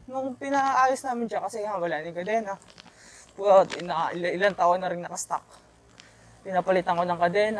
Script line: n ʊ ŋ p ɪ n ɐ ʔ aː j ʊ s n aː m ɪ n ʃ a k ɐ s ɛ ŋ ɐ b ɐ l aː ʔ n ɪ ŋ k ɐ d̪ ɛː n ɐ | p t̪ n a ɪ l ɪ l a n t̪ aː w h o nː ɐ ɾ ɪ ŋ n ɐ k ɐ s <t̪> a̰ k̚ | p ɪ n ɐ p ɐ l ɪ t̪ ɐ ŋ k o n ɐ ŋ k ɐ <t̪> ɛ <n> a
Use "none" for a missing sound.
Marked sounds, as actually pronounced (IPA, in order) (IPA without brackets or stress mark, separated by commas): t̪, d̪, n